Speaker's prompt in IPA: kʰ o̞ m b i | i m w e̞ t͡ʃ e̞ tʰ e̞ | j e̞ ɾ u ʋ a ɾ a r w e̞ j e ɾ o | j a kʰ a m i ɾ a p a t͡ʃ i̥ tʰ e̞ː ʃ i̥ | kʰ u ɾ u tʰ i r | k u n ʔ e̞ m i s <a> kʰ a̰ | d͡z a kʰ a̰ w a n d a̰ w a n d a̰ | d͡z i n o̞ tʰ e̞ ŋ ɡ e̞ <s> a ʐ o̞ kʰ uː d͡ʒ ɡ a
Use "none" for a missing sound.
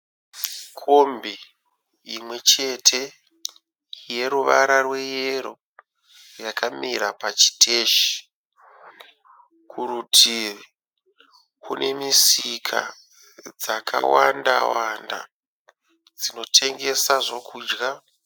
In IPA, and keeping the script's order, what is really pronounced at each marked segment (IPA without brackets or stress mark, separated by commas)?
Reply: i, s